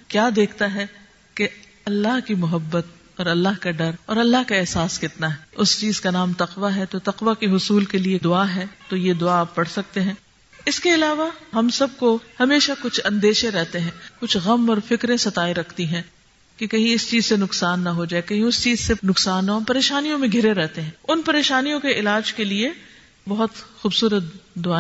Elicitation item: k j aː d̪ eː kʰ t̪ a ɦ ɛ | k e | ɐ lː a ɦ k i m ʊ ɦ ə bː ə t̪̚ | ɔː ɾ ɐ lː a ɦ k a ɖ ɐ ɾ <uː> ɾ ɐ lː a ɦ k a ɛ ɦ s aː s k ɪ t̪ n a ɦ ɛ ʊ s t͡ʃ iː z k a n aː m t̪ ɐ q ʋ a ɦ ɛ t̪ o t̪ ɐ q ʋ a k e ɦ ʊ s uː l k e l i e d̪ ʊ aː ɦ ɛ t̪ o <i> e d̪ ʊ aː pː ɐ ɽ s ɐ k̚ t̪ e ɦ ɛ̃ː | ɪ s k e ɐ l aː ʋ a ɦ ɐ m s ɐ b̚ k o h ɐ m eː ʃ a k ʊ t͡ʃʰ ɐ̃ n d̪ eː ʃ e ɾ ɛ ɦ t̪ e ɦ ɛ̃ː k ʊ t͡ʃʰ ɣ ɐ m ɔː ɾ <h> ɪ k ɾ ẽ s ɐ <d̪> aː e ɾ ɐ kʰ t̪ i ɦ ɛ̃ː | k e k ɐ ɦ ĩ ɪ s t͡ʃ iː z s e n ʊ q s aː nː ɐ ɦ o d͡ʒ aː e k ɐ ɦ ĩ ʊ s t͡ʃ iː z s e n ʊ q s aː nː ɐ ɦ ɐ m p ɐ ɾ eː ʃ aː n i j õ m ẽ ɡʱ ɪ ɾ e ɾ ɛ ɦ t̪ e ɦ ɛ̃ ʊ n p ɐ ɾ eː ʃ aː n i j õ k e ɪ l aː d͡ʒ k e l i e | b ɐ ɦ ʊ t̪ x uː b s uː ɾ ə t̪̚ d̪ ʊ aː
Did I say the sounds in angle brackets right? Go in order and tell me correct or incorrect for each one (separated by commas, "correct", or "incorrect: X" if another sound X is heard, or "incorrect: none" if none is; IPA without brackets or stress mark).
incorrect: ɔː, incorrect: j, incorrect: f, incorrect: t̪